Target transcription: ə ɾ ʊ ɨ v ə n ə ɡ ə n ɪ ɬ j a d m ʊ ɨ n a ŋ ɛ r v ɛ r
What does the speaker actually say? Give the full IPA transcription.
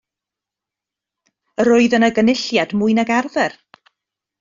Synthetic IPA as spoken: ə ɾ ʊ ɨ ð ə n ə ɡ ə n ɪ ɬ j a d m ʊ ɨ n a ɡ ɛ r ð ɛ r